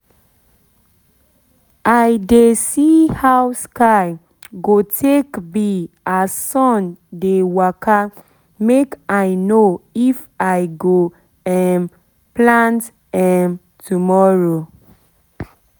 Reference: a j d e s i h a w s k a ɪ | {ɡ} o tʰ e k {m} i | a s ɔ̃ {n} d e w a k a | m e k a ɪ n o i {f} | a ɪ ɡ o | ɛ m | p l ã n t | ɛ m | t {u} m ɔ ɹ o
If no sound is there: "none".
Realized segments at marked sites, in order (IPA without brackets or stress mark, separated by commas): ɡ, b, n, f, u